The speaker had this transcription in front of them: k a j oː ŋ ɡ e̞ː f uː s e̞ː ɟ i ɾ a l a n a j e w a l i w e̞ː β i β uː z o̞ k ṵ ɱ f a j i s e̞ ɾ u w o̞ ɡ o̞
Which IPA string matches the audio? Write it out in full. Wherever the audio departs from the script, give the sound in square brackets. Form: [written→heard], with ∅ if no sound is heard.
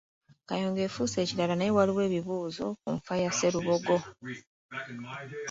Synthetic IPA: k a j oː ŋ ɡ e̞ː f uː s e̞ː [ɟ→c] i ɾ a l a n a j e w a l i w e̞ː β i β uː z o̞ k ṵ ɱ f a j [i→a] s e̞ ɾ u [w→β] o̞ ɡ o̞